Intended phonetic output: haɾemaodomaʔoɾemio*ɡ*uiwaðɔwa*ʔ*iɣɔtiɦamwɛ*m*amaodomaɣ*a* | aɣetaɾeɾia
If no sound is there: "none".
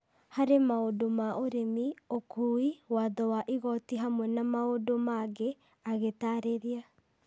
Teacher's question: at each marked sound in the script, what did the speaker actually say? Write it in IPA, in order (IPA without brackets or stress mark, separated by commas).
k, ʔ, n, e